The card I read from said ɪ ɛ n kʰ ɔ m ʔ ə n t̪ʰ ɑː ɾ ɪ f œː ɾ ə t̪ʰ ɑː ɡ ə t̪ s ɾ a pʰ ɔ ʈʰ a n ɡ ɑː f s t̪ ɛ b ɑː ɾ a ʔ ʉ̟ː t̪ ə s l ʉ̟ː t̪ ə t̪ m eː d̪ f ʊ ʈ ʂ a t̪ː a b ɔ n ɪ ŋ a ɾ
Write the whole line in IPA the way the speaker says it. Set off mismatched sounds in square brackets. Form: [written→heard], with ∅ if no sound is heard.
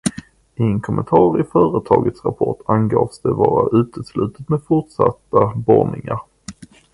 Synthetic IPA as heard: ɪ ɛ n kʰ ɔ m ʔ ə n t̪ʰ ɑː ɾ ɪ f œː ɾ ə t̪ʰ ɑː ɡ ə t̪ s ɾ a pʰ ɔ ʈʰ a n ɡ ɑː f s [t̪→d̪] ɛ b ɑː ɾ a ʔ ʉ̟ː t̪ ə s l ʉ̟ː t̪ ə t̪ m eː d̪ f ʊ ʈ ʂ a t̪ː a b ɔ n ɪ ŋ a ɾ